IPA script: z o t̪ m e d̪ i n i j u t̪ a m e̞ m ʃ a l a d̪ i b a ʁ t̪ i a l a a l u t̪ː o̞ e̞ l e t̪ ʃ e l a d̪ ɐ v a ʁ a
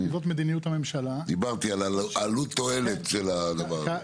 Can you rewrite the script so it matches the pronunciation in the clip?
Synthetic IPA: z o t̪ m e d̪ i n i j u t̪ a m e̞ m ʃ a l a d̪ i b a ʁ t̪ i a l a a l u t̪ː o̞ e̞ l e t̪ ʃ e l a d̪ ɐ v a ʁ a

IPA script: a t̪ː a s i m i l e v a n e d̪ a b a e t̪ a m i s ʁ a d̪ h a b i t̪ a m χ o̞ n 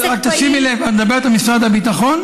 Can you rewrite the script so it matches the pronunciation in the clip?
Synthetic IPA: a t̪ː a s i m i l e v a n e d̪ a b e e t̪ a m i s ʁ a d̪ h a b i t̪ a χ o̞ n

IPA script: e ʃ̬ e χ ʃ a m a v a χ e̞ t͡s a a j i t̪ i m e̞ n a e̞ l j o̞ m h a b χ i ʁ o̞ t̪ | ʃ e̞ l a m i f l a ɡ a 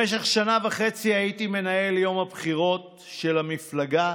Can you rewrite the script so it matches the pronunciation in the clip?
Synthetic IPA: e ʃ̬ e χ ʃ a n a v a χ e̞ t͡s i a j i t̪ i m e̞ n a e̞ l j o̞ m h a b χ i ʁ o̞ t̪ | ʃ e̞ l a m i f l a ɡ a

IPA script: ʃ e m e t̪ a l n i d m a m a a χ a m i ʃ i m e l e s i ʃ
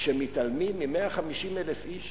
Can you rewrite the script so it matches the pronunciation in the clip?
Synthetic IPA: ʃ e m i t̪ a l m i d m i m e a χ a m i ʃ i m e l e f i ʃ

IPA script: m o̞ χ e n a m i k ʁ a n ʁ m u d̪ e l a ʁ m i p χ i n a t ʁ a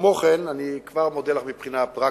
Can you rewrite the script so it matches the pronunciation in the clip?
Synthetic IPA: m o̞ χ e n a n i k v a ʁ m o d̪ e l a χ m i p χ i n a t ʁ a

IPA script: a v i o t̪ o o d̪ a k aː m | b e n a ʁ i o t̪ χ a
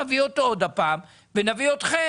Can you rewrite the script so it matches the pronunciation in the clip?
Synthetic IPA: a v i o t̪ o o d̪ a p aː m | v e n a v i o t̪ χ e

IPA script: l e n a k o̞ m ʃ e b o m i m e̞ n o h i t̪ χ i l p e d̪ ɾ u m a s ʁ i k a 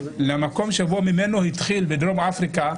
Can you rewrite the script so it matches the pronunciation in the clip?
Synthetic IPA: l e m a k o̞ m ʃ e b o m i m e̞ n o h i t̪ χ i l b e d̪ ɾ o m a f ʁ i k a

